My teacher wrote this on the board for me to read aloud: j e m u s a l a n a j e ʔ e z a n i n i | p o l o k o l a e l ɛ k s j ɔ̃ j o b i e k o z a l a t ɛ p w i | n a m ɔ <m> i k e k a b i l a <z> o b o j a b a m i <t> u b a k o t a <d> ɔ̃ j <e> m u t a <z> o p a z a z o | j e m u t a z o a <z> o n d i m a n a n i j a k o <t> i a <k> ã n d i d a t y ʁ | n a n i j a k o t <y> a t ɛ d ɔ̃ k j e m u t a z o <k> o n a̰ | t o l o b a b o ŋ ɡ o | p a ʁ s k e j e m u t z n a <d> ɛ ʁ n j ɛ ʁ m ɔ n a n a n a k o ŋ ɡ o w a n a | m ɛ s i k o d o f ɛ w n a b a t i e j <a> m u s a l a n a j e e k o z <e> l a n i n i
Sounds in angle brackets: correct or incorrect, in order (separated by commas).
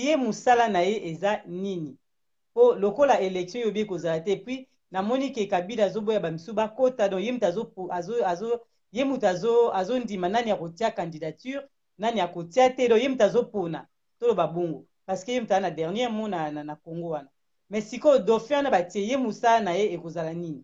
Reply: incorrect, correct, incorrect, correct, correct, correct, correct, correct, correct, incorrect, incorrect, correct, incorrect, incorrect